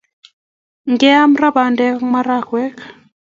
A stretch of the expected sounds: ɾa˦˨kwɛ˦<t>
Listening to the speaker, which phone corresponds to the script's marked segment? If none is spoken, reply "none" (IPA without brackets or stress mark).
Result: k